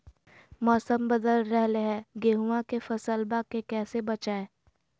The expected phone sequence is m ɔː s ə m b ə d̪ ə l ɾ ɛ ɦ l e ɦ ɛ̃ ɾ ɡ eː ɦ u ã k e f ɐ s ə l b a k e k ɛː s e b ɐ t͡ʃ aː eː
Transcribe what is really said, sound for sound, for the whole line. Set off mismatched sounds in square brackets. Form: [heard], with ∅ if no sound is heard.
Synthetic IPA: m ɔː s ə m b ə d̪ ə l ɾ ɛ ɦ l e ɦ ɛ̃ [∅] ɡ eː ɦ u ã k e f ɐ s ə l b a k e k ɛː s e b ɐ t͡ʃ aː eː